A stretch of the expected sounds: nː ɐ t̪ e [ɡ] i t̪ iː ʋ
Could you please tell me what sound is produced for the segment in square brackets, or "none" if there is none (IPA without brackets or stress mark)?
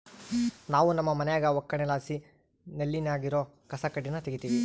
ɡ